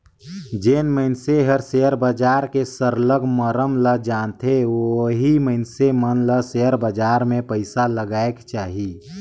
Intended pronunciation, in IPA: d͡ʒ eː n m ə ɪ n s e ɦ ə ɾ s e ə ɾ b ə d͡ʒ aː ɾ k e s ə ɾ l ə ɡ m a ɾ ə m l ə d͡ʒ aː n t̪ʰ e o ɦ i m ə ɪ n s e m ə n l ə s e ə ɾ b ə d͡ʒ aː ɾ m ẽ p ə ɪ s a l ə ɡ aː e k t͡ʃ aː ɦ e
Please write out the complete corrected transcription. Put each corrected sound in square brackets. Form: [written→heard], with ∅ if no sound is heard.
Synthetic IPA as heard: d͡ʒ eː n m ə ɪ n s e ɦ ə ɾ s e ə ɾ b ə d͡ʒ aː ɾ k e s ə ɾ l ə ɡ m [a→ə] ɾ ə m l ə d͡ʒ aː n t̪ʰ e o ɦ i m ə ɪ n s e m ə n l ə s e ə ɾ b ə d͡ʒ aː ɾ m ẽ p ə ɪ s a l ə ɡ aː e k t͡ʃ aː ɦ [e→i]